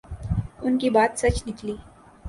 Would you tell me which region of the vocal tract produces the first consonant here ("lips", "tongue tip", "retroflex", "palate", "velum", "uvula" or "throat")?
tongue tip